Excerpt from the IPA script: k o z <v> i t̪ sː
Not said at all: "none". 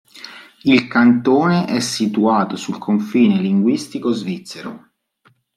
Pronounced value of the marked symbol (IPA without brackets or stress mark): v